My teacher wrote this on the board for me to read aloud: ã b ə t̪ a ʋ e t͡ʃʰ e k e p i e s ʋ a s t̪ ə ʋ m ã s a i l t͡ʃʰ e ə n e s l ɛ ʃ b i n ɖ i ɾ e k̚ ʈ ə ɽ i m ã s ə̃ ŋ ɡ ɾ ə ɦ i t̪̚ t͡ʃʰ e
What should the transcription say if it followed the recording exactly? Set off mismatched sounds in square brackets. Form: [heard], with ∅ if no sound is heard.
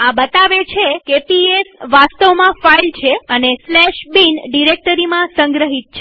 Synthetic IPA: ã b ə t̪ a ʋ e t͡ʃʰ e k e p i e s ʋ a s t̪ ə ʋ m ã [f] a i l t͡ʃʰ e ə n e s l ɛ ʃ b i n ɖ i ɾ e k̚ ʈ ə [ɾ] i m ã s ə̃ ŋ ɡ ɾ ə ɦ i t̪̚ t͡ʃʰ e